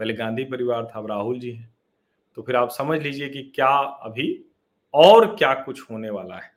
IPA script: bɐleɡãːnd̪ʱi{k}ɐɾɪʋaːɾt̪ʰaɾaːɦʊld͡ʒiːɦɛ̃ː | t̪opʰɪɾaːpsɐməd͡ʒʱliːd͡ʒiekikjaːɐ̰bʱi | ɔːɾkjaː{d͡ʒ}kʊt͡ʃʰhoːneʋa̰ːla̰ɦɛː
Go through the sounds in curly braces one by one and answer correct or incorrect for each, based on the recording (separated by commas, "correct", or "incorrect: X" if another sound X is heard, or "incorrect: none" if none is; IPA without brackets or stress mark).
incorrect: p, incorrect: none